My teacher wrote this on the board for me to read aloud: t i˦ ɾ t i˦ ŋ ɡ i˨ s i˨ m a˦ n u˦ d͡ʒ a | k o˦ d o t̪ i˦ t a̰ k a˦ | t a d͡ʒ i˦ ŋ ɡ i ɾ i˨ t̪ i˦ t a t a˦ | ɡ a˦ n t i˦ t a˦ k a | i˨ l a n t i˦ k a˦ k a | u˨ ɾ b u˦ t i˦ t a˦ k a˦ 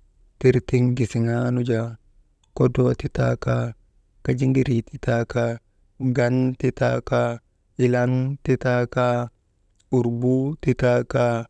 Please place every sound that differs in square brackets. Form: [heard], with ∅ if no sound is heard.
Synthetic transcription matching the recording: t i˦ ɾ t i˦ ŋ ɡ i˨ s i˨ [ŋ] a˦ n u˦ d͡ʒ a | k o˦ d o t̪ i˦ t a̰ k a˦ | [k] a d͡ʒ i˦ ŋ ɡ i ɾ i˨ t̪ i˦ t a [k] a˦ | ɡ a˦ n t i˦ t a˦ k a | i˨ l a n t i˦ [t] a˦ k a | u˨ ɾ b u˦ t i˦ t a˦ k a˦